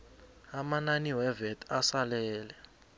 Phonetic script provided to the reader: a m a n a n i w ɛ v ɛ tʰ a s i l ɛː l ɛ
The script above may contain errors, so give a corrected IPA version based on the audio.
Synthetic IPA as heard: a m a n a n i w ɛ v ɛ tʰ a s a l ɛː l ɛ

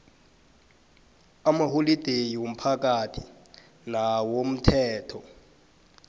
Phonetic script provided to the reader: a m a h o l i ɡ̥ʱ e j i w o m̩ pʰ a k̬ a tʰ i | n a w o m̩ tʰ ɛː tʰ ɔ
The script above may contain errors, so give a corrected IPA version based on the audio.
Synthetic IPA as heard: a m a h o l i d̥ʱ e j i w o m̩ pʰ a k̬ a tʰ i | n a w o m̩ tʰ ɛː tʰ ɔ

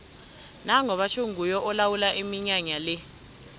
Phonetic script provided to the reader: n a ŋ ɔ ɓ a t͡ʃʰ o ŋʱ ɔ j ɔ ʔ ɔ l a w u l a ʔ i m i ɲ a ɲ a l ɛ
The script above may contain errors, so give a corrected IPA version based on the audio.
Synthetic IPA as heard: n a ŋ ɔ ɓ a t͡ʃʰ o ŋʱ u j ɔ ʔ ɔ l a w u l a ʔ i m i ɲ a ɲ a l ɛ

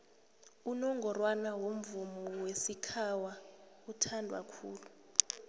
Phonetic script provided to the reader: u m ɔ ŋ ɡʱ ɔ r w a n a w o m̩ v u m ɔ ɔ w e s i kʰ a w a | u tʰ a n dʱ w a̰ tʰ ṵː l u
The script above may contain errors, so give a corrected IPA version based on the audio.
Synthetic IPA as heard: u n ɔ ŋ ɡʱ ɔ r w a n a w o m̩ v u m ɔ ɔ w e s i kʰ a w a | u tʰ a n dʱ w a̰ kʰ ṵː l u

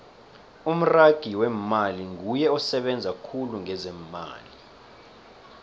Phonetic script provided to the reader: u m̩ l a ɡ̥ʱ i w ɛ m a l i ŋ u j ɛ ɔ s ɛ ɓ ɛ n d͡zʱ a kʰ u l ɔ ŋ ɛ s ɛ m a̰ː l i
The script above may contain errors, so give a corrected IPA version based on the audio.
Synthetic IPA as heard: u m̩ r a ɡ̥ʱ i w ɛ m a l i ŋ u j ɛ ɔ s ɛ ɓ ɛ n d͡zʱ a kʰ u l u ŋ ɛ z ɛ m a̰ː l i

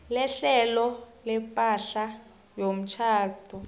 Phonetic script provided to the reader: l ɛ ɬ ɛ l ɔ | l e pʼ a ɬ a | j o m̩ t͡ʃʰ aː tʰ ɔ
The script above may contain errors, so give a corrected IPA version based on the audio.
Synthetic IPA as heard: l ɛ ɬ ɛ l ɔ | l ɛ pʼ a ɬ a | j o m̩ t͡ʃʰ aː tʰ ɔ

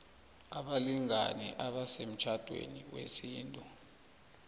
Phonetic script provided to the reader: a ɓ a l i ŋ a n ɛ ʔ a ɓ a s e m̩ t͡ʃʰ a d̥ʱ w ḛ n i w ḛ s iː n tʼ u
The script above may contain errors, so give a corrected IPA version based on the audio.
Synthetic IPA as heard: a ɓ a l i ŋ a n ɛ ʔ a ɓ a s e m̩ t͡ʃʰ a d̥ʱ w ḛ n i w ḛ s iː n tʼ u

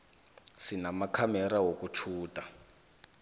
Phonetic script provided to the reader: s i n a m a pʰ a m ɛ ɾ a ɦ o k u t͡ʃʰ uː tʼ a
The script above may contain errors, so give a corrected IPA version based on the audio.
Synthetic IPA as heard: s i n a m a kʰ a m ɛ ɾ a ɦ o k u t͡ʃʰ uː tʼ a

